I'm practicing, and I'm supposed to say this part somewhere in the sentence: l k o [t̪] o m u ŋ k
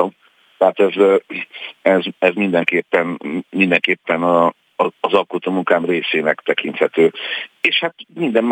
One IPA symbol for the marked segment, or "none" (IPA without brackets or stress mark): t̪